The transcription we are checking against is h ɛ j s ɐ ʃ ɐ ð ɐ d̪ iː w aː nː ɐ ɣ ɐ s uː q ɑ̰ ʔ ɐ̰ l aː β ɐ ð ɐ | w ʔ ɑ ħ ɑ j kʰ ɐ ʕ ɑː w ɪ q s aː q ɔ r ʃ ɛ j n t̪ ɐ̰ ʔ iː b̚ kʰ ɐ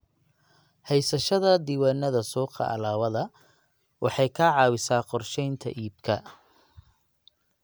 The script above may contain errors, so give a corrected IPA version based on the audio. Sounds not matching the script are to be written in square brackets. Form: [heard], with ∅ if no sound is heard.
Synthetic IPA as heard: h ɛ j s ɐ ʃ ɐ ð ɐ d̪ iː w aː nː ɐ [ð] ɐ s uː q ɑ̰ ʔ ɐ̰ l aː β ɐ ð ɐ | w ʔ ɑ ħ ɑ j kʰ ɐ ʕ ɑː w ɪ [∅] s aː q ɔ r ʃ ɛ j n [t̪ʰ] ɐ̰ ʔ iː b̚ kʰ ɐ